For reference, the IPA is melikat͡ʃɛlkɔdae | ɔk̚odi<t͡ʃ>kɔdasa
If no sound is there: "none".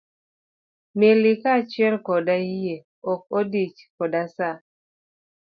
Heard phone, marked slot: t͡ʃ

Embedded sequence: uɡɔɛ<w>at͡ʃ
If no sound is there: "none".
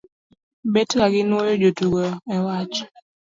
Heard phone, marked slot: w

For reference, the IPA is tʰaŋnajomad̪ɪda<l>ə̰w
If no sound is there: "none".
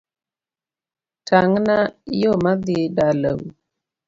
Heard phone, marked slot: l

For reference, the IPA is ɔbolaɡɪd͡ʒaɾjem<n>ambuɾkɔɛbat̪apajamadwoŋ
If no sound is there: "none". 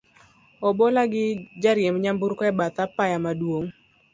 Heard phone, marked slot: ɲ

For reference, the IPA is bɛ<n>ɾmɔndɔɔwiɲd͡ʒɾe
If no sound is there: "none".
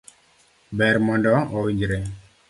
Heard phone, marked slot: none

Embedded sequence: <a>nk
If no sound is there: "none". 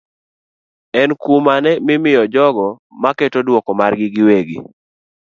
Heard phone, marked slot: ɛ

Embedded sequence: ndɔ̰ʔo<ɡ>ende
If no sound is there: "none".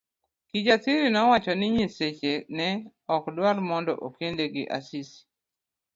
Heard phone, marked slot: k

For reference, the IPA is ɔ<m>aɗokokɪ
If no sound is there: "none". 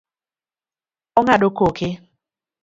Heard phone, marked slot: ŋ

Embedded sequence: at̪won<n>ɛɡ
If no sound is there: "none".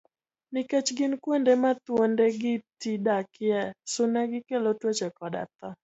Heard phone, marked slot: d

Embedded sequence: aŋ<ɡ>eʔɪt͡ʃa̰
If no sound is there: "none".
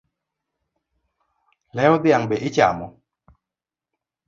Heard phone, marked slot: b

